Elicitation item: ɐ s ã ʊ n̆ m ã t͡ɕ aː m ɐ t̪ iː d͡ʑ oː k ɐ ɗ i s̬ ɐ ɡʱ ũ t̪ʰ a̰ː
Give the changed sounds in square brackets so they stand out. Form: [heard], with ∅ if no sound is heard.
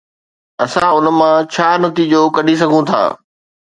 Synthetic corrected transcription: ɐ s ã ʊ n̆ m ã [t͡ɕʰ] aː [n] ɐ t̪ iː d͡ʑ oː k ɐ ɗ i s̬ ɐ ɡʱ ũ t̪ʰ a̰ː